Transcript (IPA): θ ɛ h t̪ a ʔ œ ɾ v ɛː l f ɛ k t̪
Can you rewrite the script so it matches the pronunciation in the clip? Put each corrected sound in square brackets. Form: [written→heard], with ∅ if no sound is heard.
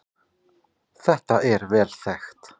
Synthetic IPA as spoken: θ ɛ h t̪ a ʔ [œ→ɛ] ɾ v ɛː l [f→θ] ɛ [k→x] t̪